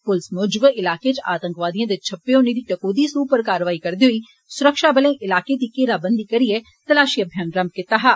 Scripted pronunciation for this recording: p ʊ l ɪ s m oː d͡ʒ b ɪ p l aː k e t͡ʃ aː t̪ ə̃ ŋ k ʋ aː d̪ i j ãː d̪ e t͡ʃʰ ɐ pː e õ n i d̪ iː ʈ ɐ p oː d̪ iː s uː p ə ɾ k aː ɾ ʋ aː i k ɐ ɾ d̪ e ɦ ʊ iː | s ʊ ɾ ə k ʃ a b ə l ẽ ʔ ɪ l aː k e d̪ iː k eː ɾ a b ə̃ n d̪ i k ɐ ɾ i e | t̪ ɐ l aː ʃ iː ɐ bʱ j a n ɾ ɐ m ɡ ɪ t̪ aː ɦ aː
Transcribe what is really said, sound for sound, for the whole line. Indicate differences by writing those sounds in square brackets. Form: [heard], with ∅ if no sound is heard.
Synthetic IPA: p ʊ l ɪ s m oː d͡ʒ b ɪ [∅] l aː k e t͡ʃ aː t̪ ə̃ ŋ k ʋ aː d̪ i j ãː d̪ e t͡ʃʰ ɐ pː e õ n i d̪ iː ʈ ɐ [k] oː d̪ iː s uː p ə ɾ k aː ɾ ʋ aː i k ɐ ɾ d̪ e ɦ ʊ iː | s ʊ ɾ ə k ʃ a b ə l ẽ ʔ ɪ l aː k e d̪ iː k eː ɾ a b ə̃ n d̪ i k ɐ ɾ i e | t̪ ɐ l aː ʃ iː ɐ bʱ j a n ɾ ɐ m [k] ɪ t̪ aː ɦ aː